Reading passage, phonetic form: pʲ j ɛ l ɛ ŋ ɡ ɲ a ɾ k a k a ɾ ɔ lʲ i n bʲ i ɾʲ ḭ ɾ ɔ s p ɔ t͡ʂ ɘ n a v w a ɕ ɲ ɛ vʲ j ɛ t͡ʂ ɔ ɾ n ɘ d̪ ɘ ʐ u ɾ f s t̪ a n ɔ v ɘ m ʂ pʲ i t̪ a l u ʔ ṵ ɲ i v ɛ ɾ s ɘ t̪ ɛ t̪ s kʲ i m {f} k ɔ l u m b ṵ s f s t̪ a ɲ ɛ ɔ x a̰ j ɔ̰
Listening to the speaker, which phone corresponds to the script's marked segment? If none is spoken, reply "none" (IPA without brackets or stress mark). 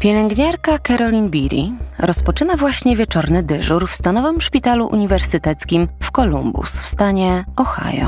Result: f